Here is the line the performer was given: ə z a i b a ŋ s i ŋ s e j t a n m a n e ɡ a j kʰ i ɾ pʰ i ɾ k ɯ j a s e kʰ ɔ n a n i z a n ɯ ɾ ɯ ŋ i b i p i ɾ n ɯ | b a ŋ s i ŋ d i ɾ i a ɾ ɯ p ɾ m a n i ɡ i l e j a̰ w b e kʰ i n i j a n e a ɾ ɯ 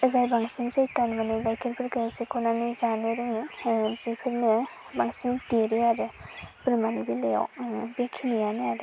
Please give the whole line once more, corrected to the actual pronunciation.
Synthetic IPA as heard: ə z a j b a ŋ s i ŋ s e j t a n m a n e ɡ a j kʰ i ɾ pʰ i ɾ k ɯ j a s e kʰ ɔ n a n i z a n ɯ ɾ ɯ ŋ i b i pʰ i ɾ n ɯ | b a ŋ s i ŋ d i ɾ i a ɾ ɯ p ɾ m a n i b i l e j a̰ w b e kʰ i n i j a n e a ɾ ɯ